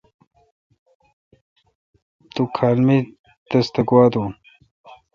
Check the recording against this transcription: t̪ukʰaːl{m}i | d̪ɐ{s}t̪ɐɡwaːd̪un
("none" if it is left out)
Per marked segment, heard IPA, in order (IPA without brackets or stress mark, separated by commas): m, s